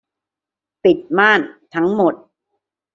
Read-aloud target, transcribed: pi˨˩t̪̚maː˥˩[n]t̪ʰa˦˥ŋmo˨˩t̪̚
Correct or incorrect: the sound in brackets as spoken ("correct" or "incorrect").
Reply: correct